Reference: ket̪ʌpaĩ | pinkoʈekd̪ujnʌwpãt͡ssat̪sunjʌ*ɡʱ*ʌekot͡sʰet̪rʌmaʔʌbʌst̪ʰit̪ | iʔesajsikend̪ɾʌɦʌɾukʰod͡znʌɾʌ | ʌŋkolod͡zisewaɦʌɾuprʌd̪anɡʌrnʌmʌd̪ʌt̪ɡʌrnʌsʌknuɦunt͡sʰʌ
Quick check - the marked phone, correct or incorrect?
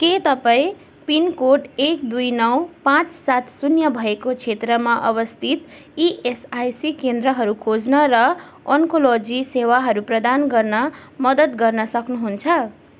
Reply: incorrect